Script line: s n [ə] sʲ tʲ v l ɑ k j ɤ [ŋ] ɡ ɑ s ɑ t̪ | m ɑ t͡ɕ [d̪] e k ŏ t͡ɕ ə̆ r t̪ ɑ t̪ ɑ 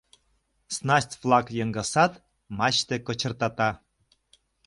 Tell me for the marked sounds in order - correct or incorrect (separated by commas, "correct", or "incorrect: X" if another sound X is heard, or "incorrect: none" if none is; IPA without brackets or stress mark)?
incorrect: ɑ, correct, incorrect: t̪